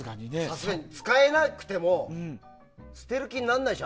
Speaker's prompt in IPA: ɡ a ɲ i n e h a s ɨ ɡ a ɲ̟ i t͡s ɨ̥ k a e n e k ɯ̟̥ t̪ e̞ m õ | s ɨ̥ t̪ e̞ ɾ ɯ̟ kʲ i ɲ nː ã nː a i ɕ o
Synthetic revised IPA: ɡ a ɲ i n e s a s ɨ ɡ a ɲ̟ i t͡s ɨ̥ k a e n a k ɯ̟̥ t̪ e̞ m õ | s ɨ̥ t̪ e̞ ɾ ɯ̟ kʲ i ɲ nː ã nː a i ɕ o